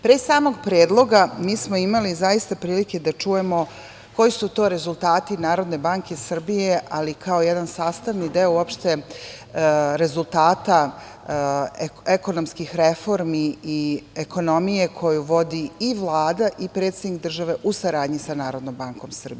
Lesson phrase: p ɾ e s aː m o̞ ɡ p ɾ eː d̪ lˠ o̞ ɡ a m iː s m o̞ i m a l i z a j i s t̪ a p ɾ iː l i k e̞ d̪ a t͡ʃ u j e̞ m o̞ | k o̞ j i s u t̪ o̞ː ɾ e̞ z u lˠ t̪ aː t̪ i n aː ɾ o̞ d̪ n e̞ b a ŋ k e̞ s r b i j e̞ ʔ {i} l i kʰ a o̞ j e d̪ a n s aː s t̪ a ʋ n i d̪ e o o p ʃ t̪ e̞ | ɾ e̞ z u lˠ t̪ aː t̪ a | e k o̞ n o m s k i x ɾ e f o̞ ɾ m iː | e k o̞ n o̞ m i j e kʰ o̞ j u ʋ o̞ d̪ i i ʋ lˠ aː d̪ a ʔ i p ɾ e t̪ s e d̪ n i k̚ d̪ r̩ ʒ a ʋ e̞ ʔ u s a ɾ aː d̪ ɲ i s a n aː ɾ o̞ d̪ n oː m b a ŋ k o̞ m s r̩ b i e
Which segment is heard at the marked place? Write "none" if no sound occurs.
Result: a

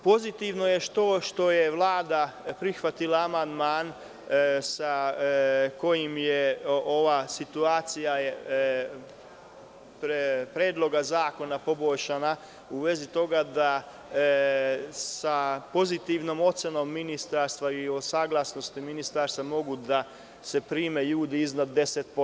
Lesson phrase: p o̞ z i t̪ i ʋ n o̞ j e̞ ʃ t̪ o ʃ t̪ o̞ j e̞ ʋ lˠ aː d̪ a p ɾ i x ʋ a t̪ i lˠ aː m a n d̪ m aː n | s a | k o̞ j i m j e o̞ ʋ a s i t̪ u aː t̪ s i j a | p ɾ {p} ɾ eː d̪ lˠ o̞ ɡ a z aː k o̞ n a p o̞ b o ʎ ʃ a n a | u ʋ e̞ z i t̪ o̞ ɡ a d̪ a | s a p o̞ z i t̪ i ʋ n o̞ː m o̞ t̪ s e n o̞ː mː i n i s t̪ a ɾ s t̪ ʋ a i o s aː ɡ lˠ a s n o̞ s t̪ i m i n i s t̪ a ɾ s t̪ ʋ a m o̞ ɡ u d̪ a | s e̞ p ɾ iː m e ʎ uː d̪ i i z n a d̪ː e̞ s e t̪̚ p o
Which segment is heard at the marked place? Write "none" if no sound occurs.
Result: p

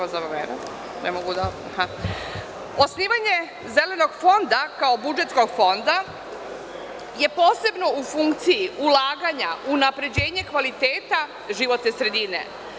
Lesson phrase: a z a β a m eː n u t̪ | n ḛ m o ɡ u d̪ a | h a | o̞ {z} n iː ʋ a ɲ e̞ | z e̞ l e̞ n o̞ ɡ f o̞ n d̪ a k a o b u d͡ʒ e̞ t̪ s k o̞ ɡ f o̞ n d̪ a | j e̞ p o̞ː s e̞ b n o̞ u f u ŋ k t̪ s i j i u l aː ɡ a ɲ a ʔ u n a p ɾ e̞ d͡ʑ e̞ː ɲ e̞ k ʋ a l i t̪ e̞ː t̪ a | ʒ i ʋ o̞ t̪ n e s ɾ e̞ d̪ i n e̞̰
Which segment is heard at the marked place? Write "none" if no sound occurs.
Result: s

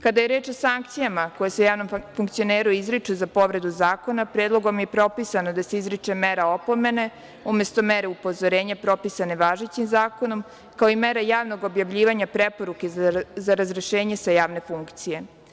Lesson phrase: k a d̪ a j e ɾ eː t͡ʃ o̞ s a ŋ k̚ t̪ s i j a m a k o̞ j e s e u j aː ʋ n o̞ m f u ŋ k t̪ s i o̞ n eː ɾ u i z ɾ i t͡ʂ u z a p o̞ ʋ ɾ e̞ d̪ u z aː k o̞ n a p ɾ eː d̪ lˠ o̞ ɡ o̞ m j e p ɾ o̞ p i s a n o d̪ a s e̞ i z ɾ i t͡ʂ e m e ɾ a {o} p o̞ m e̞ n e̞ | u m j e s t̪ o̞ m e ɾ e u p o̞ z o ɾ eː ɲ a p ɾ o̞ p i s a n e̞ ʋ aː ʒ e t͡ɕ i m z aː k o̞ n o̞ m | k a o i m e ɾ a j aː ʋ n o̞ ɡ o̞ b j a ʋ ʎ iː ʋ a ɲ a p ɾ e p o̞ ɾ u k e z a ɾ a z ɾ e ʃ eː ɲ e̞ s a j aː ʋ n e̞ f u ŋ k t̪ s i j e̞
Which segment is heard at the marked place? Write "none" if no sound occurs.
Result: o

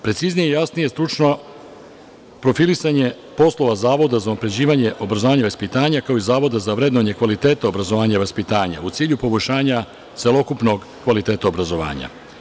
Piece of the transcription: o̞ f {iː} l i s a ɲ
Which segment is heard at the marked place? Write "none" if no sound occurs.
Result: i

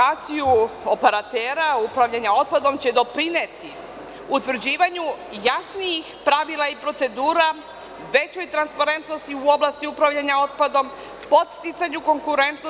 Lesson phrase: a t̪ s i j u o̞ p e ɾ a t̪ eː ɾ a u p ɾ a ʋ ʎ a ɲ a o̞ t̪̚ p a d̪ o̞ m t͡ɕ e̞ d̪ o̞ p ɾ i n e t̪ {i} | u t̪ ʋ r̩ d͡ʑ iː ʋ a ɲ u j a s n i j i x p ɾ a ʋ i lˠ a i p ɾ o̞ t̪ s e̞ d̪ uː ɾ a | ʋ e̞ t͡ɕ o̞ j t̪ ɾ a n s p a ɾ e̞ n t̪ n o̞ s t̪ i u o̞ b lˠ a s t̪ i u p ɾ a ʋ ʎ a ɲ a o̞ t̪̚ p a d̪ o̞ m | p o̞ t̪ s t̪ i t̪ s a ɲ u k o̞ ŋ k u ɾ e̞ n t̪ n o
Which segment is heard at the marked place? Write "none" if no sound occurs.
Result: i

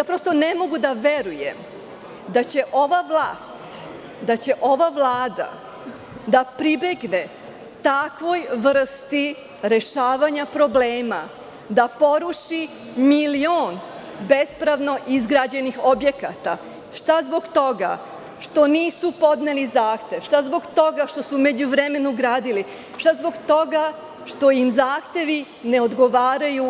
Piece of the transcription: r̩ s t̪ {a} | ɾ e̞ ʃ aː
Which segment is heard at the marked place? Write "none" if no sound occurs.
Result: i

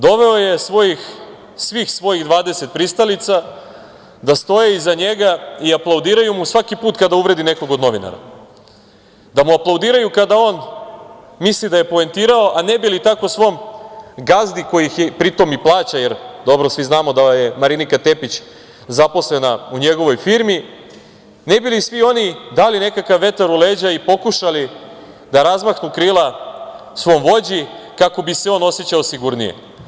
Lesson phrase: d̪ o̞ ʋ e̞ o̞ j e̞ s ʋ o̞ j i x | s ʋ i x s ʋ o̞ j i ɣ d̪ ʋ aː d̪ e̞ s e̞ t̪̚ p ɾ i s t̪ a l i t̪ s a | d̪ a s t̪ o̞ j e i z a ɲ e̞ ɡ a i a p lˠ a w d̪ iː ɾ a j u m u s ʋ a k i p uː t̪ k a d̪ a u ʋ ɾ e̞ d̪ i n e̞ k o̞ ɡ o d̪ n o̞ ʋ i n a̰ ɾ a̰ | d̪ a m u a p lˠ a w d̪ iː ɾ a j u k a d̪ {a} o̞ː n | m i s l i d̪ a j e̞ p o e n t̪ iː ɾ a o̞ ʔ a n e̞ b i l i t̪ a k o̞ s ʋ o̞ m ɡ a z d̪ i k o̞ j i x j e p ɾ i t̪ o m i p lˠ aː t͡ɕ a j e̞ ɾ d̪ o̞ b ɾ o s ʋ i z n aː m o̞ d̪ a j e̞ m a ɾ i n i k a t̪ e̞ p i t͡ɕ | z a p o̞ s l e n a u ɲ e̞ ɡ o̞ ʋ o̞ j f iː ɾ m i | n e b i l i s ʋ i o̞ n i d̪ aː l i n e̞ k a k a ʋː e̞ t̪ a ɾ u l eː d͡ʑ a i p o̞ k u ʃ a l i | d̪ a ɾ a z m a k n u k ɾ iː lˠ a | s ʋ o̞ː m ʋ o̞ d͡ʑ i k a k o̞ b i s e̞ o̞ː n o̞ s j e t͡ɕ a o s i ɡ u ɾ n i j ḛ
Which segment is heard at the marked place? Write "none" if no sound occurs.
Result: a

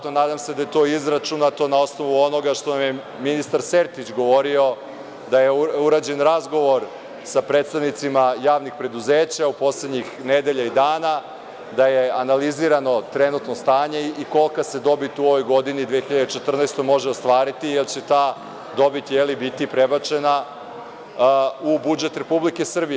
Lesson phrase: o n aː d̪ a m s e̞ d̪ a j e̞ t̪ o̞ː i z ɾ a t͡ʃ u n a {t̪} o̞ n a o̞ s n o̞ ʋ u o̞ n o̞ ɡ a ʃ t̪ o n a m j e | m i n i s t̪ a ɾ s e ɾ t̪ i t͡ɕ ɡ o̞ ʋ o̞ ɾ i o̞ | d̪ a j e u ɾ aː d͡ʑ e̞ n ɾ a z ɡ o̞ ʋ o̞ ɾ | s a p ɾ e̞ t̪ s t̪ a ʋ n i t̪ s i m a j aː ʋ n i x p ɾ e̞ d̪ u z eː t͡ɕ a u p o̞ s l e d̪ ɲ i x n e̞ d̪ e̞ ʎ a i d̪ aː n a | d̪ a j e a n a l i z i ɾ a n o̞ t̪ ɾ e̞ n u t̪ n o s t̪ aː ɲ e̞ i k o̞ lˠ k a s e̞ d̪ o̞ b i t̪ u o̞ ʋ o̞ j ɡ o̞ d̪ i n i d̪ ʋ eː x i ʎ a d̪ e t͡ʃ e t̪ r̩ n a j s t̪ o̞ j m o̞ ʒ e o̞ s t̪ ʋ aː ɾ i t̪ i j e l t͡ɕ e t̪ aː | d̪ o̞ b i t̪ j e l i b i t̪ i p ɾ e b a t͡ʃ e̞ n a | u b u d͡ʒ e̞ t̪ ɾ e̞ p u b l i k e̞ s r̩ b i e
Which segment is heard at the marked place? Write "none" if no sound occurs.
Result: t̪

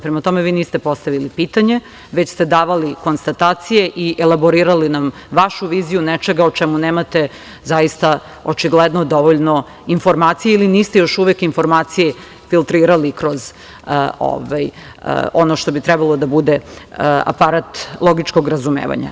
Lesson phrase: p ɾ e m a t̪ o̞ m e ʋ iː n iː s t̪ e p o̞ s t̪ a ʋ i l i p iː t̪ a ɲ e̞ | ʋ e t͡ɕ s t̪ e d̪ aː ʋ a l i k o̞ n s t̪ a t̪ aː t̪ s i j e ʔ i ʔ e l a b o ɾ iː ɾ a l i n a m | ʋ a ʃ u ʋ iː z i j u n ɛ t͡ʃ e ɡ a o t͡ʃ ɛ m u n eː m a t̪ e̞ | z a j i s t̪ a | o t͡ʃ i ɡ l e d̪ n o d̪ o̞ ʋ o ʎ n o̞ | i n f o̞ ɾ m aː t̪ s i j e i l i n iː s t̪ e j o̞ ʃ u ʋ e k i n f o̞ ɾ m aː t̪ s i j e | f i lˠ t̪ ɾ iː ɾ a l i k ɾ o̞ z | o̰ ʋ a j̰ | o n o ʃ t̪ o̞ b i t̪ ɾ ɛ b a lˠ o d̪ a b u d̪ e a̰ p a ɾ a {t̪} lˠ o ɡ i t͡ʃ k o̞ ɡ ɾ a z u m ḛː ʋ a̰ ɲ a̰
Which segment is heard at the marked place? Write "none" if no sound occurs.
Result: t̪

